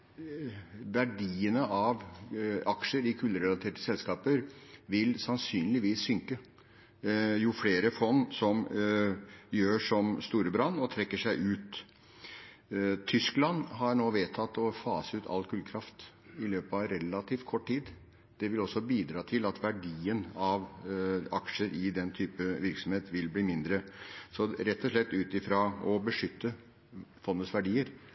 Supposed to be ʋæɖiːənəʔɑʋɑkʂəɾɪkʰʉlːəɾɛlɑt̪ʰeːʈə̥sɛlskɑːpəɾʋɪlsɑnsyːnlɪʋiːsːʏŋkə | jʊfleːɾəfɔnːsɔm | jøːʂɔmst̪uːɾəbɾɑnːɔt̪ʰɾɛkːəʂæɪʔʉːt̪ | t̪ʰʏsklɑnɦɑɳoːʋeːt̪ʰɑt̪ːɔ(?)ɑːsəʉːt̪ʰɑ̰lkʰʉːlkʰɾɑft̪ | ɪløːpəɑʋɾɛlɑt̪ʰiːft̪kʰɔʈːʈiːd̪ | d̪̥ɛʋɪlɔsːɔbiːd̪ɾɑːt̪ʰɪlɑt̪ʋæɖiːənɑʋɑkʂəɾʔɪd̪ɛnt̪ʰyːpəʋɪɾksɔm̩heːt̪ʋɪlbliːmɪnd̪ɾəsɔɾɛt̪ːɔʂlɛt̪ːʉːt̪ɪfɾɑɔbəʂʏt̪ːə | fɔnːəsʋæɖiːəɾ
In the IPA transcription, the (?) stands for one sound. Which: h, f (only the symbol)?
f